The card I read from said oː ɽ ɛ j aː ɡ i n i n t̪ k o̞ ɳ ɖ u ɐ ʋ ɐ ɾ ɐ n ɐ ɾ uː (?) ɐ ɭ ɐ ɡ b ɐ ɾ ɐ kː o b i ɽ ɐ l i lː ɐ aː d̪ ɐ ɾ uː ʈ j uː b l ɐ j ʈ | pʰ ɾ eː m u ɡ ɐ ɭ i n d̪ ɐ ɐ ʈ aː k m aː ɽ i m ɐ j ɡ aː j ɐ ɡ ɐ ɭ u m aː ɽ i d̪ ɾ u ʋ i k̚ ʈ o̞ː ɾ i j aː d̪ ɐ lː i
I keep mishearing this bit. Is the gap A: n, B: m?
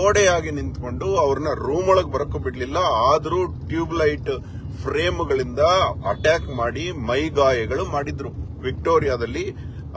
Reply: B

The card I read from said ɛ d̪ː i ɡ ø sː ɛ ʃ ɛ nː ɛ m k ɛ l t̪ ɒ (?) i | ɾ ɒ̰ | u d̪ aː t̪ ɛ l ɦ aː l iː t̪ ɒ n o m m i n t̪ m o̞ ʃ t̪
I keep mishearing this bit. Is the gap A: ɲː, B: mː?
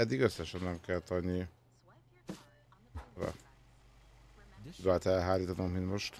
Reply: A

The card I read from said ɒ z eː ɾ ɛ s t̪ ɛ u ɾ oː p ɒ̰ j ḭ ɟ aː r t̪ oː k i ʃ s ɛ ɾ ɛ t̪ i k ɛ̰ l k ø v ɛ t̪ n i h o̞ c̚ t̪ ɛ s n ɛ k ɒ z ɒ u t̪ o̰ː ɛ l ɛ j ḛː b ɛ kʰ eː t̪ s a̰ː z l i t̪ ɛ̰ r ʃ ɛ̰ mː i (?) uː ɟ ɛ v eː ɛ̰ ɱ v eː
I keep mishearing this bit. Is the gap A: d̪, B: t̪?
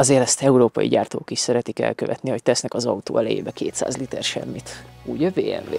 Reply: B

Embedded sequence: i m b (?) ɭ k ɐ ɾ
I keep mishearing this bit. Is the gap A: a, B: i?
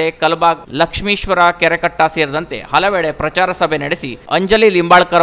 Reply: A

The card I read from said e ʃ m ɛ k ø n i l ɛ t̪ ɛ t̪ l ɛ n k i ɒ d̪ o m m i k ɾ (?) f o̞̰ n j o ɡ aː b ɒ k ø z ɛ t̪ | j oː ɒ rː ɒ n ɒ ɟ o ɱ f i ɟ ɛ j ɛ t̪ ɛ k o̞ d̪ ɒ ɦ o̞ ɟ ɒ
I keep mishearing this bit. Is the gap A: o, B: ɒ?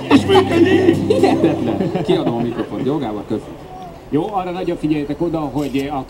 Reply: A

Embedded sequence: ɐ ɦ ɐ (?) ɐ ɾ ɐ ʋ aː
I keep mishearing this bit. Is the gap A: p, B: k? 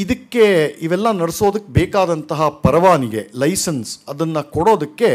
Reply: A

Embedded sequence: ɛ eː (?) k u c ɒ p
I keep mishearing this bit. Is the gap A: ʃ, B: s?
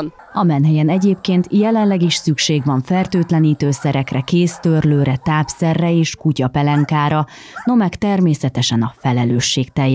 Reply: A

